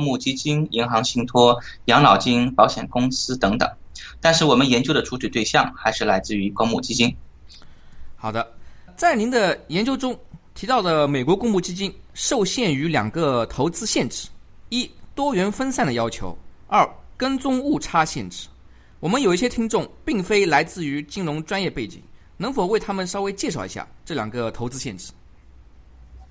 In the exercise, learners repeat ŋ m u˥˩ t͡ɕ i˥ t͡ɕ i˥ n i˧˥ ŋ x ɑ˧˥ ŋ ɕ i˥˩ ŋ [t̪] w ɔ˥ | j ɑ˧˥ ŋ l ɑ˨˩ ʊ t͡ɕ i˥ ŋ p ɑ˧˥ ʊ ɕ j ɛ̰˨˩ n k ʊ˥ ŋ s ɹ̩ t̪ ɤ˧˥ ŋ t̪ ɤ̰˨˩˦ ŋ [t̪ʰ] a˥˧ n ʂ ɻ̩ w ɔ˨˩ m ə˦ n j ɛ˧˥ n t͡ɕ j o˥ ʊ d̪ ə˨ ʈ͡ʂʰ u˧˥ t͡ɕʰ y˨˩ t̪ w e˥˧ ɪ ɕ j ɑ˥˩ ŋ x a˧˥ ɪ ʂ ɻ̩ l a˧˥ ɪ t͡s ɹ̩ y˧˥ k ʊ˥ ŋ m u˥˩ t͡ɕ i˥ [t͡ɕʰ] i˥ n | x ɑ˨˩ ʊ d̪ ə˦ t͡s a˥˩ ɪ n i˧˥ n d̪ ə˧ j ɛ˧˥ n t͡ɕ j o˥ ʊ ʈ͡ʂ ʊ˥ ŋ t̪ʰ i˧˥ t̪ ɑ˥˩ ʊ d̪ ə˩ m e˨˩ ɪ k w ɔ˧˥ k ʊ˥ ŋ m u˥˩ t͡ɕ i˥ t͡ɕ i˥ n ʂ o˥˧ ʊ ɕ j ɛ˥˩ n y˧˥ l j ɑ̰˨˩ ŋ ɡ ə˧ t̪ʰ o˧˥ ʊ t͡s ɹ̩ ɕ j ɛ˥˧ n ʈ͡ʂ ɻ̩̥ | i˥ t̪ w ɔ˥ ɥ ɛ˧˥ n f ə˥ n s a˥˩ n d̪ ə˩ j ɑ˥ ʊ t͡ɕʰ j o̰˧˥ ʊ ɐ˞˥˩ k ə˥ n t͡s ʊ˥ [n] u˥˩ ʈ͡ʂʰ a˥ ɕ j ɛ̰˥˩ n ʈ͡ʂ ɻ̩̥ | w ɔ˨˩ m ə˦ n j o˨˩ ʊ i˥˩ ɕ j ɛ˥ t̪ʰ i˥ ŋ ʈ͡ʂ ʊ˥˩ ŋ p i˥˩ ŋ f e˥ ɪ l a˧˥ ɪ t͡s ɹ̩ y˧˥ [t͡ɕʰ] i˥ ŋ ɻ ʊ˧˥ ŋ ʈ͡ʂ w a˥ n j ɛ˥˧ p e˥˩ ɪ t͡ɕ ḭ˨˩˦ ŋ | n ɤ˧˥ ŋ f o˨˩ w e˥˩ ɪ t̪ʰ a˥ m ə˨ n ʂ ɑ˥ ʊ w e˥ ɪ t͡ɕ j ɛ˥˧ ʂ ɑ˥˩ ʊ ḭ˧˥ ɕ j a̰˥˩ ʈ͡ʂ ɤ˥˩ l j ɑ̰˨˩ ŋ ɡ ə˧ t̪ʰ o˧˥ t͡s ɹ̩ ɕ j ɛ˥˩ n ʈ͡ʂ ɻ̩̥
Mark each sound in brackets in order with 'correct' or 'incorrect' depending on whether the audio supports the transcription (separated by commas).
incorrect, incorrect, incorrect, incorrect, incorrect